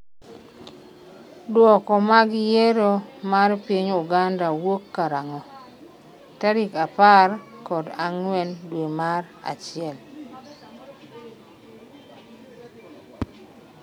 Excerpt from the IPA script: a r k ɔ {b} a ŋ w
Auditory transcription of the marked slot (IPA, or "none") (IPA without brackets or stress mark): d